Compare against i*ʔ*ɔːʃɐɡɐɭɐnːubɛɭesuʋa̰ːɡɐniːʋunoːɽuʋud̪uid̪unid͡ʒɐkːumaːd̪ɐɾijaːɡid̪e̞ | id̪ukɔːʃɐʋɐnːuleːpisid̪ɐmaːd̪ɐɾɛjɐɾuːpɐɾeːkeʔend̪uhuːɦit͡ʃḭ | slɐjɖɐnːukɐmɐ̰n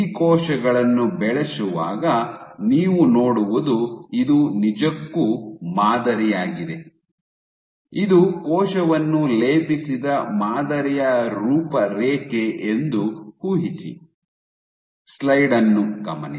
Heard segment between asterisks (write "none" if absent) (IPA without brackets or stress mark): k